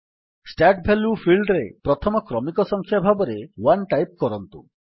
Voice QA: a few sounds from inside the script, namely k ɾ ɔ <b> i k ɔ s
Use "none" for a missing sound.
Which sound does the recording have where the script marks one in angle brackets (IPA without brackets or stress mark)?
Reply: m